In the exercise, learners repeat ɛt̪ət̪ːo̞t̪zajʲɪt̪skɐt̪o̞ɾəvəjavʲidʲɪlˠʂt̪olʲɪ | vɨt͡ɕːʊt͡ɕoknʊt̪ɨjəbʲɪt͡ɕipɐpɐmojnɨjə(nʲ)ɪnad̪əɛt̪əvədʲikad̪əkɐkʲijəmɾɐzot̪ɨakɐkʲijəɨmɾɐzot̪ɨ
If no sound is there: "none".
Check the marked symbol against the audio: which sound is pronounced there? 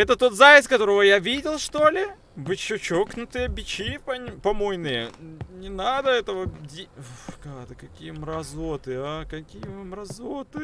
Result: nʲ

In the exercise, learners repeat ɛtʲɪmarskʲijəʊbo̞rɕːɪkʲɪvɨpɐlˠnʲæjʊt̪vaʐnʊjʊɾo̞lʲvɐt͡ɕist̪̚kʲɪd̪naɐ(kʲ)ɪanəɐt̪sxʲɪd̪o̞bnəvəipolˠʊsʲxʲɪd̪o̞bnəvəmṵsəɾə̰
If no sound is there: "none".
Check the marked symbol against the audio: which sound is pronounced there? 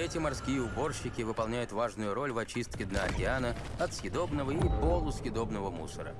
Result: kʲ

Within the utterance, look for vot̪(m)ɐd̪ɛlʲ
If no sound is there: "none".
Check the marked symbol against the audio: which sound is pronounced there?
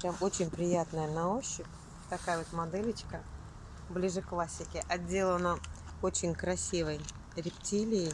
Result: m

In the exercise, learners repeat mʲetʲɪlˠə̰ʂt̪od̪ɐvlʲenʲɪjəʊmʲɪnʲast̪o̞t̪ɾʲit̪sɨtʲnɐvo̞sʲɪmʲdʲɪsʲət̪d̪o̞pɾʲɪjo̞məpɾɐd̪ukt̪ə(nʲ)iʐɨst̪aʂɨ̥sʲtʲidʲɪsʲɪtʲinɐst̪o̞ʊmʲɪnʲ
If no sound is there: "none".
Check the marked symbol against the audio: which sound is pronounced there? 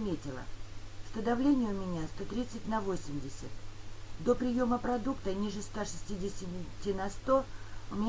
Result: nʲ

